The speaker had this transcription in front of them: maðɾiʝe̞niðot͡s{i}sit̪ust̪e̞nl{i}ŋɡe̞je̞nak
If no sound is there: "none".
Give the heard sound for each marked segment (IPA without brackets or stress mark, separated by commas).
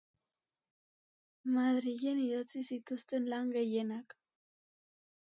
i, a